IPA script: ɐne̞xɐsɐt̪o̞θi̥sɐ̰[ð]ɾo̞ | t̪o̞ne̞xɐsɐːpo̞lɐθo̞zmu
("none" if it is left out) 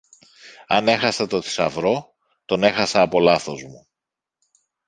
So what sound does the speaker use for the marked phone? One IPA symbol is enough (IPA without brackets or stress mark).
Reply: v